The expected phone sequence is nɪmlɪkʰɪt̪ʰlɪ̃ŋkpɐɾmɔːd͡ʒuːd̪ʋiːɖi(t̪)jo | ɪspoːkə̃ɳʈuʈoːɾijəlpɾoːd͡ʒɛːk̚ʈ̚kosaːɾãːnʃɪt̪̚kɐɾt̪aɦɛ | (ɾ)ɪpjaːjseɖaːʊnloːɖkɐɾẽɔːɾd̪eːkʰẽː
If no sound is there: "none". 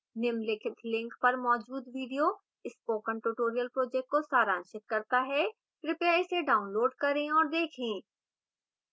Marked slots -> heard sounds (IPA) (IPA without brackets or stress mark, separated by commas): none, ɾ